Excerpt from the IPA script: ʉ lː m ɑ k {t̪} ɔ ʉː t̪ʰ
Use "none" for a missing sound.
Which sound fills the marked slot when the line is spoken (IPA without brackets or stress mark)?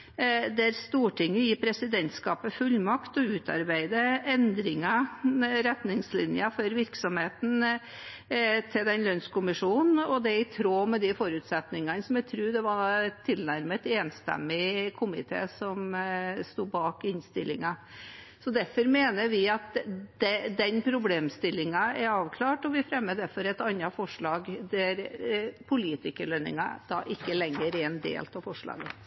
t̪